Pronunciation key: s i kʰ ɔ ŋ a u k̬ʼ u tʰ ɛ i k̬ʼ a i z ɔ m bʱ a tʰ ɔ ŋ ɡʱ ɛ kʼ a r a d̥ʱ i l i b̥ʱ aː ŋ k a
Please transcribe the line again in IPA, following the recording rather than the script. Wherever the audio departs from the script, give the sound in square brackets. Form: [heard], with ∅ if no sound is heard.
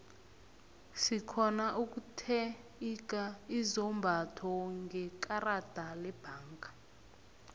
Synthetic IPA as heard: s i kʰ ɔ [n] a u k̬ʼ u tʰ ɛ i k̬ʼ a i z ɔ m bʱ a tʰ ɔ ŋ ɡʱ ɛ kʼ a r a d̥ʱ [a] l [ɛ] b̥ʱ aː ŋ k a